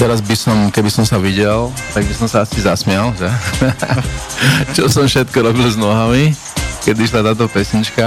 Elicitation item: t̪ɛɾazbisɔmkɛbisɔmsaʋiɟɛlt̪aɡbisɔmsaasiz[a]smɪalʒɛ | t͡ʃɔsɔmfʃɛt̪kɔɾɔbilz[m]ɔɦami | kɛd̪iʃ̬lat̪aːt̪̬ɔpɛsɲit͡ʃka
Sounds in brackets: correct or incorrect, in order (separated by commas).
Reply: correct, incorrect